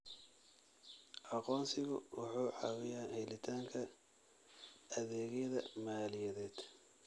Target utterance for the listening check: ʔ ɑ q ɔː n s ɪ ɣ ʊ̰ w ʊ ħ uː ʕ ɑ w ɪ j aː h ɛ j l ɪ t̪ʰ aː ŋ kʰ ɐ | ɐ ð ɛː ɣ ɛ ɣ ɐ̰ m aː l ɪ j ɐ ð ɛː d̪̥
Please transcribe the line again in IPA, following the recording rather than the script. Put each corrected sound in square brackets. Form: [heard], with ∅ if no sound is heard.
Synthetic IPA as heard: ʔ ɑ q ɔː n s ɪ ɣ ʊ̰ w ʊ ħ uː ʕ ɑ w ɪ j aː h ɛ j l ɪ t̪ʰ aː ŋ kʰ ɐ | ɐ ð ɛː ɣ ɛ [ð] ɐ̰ m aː l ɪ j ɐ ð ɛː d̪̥